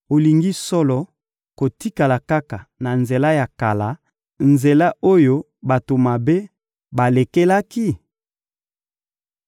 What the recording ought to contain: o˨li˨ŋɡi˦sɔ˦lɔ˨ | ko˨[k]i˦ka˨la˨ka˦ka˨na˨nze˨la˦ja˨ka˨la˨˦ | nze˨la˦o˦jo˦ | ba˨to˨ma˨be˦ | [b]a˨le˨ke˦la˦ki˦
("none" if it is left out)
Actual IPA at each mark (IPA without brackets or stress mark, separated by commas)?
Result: t, b